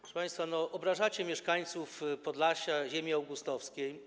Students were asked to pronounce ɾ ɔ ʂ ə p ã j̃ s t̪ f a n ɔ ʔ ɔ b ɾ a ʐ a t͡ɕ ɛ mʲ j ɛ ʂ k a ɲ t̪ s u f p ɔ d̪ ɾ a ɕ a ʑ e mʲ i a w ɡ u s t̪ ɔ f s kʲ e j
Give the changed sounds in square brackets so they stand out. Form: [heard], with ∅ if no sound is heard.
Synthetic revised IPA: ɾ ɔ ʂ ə p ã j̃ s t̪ f a n ɔ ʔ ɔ b ɾ a ʐ a t͡ɕ ɛ mʲ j ɛ ʂ k a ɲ t̪ s u f p ɔ d̪ [l] a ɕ a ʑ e mʲ i a w ɡ u s t̪ ɔ f s kʲ e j